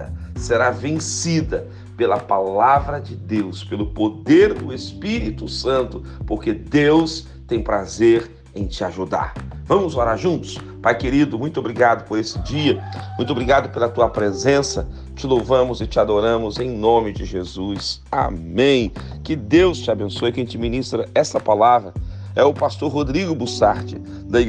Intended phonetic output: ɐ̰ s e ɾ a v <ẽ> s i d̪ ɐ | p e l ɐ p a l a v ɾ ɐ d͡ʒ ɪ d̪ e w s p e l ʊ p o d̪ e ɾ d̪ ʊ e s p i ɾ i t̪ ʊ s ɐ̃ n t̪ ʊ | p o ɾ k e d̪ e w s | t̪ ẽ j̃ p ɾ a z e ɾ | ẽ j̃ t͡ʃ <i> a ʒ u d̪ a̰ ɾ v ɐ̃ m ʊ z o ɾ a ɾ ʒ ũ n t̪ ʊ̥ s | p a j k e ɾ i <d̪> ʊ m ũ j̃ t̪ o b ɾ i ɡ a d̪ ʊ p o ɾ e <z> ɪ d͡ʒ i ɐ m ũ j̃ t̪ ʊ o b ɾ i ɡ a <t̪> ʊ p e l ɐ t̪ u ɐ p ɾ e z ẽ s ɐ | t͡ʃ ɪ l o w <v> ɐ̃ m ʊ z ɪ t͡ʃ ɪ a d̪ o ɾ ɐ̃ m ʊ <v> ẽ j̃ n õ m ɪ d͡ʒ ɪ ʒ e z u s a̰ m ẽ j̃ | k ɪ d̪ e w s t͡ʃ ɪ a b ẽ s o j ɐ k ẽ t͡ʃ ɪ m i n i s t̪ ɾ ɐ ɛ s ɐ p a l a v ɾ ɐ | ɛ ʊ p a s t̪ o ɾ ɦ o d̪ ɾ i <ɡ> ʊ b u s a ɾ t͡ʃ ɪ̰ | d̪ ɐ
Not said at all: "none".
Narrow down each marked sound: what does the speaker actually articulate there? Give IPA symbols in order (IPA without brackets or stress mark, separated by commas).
ẽ, ɪ, d̪, s, d̪, v, z, ɡ